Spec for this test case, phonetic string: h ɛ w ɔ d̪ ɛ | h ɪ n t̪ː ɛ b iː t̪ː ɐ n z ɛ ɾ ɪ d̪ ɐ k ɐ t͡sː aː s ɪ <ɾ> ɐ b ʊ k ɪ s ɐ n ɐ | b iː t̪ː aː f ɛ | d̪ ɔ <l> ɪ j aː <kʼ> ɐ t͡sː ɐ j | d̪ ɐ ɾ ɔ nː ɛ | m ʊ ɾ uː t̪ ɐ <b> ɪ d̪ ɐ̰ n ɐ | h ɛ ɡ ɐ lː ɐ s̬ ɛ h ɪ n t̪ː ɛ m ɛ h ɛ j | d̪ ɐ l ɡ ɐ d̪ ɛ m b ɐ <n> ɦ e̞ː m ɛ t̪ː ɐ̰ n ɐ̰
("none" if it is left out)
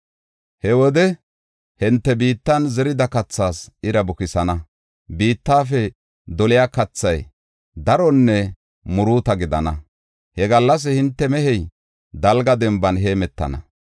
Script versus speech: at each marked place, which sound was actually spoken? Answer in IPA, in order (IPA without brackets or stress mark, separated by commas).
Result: ɾ, l, k, ɡ, n